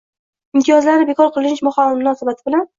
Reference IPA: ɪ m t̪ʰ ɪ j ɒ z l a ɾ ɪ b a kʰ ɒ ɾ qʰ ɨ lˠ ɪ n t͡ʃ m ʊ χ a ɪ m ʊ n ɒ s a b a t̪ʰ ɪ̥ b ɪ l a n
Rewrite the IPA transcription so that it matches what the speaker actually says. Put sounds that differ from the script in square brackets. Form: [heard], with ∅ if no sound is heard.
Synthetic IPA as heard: ɪ m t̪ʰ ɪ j ɒ z l a ɾ ɪ b [e] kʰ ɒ ɾ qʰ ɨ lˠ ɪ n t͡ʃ m ʊ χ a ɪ m ʊ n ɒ s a b a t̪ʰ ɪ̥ b ɪ l a n